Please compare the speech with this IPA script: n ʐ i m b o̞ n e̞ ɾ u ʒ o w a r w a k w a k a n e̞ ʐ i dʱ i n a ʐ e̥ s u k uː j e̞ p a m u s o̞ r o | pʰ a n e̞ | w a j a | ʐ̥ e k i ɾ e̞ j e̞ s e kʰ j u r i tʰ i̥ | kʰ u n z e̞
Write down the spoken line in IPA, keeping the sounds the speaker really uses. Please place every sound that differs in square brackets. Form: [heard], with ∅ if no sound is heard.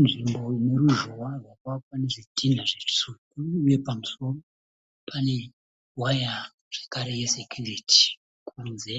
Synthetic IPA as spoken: n ʐ i m b o̞ n e̞ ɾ u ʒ o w a r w a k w a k a n e̞ ʐ i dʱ i n a ʐ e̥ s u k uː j e̞ p a m u s o̞ r o | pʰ a n e̞ | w a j a | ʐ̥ e k [a] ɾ e̞ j e̞ s e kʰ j u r i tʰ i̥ | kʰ u n z e̞